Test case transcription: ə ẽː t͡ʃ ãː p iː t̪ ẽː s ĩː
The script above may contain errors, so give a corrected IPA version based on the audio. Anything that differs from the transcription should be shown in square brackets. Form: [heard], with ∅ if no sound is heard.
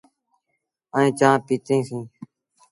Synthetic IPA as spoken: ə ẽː t͡ʃ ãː p iː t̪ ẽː s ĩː

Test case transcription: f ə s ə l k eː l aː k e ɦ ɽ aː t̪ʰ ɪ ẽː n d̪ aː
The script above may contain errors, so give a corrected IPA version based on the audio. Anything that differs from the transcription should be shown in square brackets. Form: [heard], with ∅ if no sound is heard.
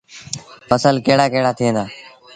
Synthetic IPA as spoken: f ə s ə l k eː [ɽ] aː k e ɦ ɽ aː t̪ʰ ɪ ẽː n d̪ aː

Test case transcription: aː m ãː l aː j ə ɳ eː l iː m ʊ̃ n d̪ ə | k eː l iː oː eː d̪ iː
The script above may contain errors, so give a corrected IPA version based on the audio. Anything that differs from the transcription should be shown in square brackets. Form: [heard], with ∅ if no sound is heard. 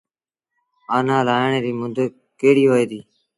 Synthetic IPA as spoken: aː [n] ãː l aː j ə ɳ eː [ɾ] iː m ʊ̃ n d̪ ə | k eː [ɽ] iː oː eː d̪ iː

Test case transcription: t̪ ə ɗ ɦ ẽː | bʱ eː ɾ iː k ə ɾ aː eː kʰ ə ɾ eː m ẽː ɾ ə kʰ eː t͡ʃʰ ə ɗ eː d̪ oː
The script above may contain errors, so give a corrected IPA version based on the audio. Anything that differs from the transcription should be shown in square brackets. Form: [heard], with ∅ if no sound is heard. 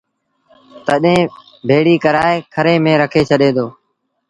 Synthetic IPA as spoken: t̪ ə ɗ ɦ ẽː | bʱ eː [ɽ] iː k ə ɾ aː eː kʰ ə ɾ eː m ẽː ɾ ə kʰ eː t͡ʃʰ ə ɗ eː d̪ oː

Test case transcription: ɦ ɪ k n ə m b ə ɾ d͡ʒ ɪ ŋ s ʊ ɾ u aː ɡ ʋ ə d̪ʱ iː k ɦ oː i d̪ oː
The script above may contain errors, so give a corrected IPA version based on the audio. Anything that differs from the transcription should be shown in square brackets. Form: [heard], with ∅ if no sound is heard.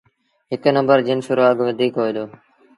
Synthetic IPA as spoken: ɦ ɪ k n ə m b ə ɾ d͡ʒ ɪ [n] s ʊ ɾ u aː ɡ ʋ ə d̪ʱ iː k ɦ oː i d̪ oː

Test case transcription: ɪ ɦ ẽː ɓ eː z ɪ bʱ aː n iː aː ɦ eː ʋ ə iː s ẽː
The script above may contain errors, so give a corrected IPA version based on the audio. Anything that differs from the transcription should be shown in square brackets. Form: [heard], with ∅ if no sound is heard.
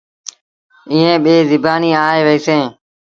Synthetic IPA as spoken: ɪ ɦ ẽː ɓ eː z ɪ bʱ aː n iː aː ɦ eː ʋ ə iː s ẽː

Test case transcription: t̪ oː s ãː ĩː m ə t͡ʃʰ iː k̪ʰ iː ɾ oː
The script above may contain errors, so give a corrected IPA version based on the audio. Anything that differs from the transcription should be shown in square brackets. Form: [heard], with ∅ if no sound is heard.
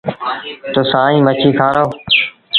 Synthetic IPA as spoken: t̪ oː s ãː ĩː m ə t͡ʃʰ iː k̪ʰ [aː] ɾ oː

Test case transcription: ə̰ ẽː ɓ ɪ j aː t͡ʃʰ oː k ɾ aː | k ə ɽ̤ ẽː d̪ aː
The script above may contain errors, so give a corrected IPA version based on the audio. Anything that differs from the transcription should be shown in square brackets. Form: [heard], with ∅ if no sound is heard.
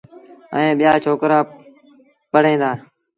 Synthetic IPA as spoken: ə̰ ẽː ɓ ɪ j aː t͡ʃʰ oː k ɾ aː | [p] ə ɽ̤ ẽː d̪ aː

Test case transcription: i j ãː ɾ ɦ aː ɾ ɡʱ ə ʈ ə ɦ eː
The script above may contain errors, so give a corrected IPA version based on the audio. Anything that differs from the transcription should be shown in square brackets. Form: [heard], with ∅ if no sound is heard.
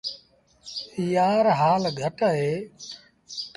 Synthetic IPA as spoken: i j [aː] ɾ ɦ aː [l] ɡʱ ə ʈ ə ɦ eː

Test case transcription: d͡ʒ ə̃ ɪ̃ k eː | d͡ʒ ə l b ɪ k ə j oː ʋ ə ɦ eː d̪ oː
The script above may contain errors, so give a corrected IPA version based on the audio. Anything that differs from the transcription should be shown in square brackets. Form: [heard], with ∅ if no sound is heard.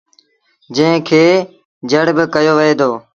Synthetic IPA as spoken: d͡ʒ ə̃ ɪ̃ [kʰ] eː | d͡ʒ ə [ɽ] b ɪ k ə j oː ʋ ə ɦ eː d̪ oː

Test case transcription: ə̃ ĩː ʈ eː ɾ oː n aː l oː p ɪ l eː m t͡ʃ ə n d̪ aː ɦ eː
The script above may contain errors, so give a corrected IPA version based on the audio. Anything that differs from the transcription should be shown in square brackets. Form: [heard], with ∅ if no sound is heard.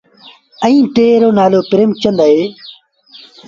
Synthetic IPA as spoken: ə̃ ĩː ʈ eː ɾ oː n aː l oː p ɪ [ɾ] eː m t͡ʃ ə n d̪ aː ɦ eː

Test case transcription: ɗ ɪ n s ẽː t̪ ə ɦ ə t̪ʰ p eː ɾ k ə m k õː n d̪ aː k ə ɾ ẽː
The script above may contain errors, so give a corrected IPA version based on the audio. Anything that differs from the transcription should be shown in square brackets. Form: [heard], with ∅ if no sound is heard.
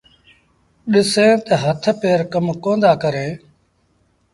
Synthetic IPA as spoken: ɗ ɪ [∅] s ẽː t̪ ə ɦ ə t̪ʰ p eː ɾ k ə m k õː n d̪ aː k ə ɾ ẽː

